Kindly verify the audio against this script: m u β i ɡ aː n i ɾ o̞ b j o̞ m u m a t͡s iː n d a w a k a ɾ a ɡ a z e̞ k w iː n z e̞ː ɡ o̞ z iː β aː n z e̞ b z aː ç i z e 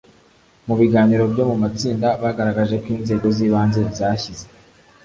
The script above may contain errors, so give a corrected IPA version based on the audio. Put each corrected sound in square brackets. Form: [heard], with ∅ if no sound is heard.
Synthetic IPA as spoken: m u β i ɡ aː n i ɾ o̞ b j o̞ m u m a t͡s iː n d a [β] a [ɡ] a ɾ a ɡ a [ʒ] e̞ k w iː n z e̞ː ɡ o̞ z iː β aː n z e̞ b z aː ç i z e